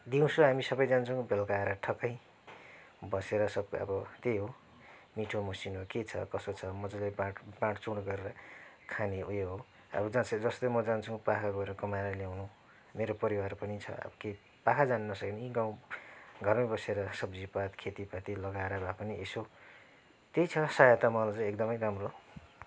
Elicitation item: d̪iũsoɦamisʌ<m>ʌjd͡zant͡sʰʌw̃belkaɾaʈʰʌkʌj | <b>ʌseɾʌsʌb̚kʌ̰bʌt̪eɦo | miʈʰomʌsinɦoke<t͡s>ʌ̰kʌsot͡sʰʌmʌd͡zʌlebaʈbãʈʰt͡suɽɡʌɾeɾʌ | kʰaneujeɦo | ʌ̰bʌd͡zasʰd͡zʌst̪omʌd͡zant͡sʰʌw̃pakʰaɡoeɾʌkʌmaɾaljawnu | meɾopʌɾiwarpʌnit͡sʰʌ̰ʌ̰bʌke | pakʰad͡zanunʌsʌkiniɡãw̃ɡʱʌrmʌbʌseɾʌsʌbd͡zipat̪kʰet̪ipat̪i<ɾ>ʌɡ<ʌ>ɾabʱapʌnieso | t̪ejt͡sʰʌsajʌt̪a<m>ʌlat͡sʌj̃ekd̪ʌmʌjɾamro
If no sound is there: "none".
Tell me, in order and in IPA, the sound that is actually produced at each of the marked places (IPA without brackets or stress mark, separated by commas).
b, b, t͡sʰ, l, a, m